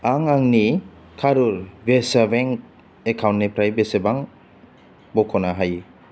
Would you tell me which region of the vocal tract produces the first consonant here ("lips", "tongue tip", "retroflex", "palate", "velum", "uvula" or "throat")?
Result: velum